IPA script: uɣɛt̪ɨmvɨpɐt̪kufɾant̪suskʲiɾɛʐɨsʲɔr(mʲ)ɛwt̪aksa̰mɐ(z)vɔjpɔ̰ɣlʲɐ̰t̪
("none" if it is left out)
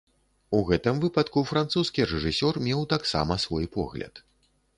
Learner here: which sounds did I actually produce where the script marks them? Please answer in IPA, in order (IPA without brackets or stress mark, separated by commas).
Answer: mʲ, s